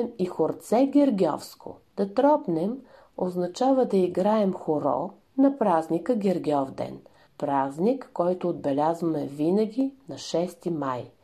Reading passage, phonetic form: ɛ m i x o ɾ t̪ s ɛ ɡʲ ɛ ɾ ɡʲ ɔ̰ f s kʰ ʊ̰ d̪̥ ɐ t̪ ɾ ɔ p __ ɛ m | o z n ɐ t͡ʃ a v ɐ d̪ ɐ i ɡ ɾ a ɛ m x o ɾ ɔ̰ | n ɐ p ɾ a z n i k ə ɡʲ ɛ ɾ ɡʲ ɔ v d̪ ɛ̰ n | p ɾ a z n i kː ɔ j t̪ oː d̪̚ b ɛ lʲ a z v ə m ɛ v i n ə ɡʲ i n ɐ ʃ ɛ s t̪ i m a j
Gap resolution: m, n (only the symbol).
n